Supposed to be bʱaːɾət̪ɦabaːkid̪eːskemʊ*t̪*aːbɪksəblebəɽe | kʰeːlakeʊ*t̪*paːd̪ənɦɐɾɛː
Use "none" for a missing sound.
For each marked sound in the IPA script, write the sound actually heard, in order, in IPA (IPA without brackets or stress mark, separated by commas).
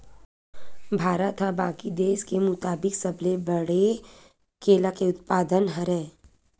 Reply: t̪, t̪